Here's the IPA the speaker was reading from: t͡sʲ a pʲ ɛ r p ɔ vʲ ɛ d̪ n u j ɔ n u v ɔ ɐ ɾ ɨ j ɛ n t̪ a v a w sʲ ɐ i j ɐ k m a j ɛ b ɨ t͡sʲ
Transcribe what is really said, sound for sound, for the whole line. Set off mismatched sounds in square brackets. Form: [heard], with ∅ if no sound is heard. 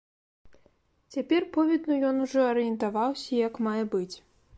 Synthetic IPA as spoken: t͡sʲ a pʲ ɛ r p ɔ vʲ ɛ d̪ n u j ɔ n u [ʐ] ɔ ɐ ɾ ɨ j ɛ n t̪ a v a w sʲ ɐ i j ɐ k m a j ɛ b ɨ t͡sʲ